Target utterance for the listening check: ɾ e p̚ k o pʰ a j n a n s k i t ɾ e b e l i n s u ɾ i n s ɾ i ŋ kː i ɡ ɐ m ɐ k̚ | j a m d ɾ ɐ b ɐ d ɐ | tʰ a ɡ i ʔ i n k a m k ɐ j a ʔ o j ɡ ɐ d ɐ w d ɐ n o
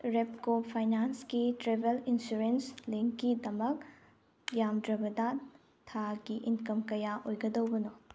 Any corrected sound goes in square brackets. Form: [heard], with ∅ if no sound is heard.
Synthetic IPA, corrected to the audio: ɾ e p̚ k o pʰ a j n a n s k i t ɾ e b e l i n s u ɾ [e] n s [l] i ŋ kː i [d] ɐ m ɐ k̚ | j a m d ɾ ɐ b ɐ d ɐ | tʰ a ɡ i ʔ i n k [ɐ] m k ɐ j a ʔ o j ɡ ɐ d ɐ w [b] ɐ n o

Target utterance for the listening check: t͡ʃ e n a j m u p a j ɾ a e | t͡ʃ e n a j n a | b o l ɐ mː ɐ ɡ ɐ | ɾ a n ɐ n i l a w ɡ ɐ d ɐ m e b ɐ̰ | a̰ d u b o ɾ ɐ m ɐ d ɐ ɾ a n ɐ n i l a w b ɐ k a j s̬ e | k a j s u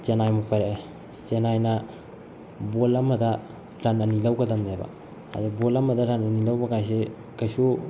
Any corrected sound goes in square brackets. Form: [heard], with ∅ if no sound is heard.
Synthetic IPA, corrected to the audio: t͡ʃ e n a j m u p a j ɾ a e | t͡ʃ e n a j n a | b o l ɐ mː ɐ [d] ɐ | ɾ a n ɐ n i l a w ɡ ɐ d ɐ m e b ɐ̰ | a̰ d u b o [l] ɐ m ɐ d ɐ ɾ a n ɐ n i l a w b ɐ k a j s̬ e | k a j s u

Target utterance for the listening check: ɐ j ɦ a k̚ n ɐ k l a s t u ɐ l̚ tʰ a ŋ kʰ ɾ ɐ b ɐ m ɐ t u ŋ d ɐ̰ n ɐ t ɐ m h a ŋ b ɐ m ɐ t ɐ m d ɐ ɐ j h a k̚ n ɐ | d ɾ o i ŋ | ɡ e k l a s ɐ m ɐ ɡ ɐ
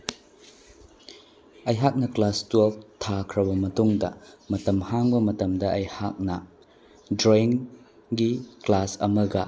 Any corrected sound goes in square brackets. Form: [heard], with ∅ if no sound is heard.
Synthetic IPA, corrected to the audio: ɐ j ɦ a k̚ n ɐ k l a s t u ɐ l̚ tʰ a [∅] kʰ ɾ ɐ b ɐ m ɐ t u ŋ d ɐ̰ [m] ɐ t ɐ m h a ŋ b ɐ m ɐ t ɐ m d ɐ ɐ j h a k̚ n ɐ | d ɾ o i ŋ | ɡ [i] k l a s ɐ m ɐ ɡ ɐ

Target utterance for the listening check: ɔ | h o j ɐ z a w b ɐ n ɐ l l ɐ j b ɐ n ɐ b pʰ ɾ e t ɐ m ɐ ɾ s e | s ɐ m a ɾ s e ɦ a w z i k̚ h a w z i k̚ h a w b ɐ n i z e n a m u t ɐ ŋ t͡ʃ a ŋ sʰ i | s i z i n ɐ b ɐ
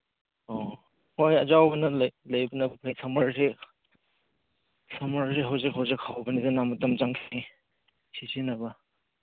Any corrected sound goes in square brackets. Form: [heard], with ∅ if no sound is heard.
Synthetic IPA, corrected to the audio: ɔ | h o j ɐ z a w b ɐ n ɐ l l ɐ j b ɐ n ɐ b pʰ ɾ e [s] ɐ m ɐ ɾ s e | s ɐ m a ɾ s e ɦ a w z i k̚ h a w z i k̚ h a w b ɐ n i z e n a m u t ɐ [m] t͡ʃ a ŋ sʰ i | s i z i n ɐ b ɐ

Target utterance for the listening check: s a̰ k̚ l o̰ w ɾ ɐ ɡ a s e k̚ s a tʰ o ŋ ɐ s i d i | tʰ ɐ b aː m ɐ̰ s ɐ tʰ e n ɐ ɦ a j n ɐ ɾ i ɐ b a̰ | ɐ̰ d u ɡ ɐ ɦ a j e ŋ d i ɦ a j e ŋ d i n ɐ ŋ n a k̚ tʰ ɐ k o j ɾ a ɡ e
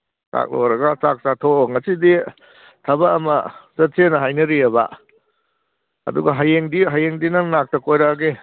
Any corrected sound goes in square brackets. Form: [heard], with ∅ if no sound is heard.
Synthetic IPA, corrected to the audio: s a̰ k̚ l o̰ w ɾ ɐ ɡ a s [a] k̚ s a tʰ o ŋ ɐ s i d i | tʰ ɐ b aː m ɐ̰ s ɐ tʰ e n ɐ ɦ a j n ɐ ɾ i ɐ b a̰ | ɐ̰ d u ɡ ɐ ɦ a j e ŋ d i ɦ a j e ŋ d i n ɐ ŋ n a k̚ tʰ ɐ k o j ɾ a ɡ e

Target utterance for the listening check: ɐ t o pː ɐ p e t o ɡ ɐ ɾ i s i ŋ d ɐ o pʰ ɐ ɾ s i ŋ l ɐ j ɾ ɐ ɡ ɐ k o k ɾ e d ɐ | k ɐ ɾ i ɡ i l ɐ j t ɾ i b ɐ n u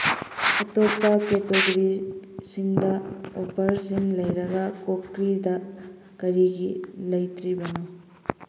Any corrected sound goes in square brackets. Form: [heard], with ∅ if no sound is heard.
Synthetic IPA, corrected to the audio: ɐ t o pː ɐ [k] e t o ɡ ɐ ɾ i s i ŋ d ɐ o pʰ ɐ ɾ s i ŋ l ɐ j ɾ ɐ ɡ ɐ k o k ɾ [i] d ɐ | k ɐ ɾ i ɡ i l ɐ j t ɾ i b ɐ n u

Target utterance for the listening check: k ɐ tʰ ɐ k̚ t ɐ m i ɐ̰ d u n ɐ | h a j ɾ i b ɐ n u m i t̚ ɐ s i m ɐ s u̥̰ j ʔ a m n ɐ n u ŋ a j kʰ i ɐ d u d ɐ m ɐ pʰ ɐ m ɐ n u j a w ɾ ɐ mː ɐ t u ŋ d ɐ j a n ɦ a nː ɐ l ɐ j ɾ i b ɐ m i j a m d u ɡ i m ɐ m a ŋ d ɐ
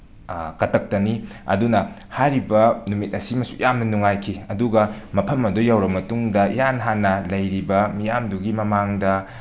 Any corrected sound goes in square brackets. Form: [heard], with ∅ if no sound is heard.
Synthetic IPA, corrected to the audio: k ɐ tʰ ɐ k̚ t ɐ [n] i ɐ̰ d u n ɐ | h a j ɾ i b ɐ n u m i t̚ ɐ s i m ɐ s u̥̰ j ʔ a m n ɐ n u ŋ a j kʰ i ɐ d u [ɡ] ɐ m ɐ pʰ ɐ m ɐ [d] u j a w ɾ ɐ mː ɐ t u ŋ d ɐ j a n ɦ a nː ɐ l ɐ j ɾ i b ɐ m i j a m d u ɡ i m ɐ m a ŋ d ɐ

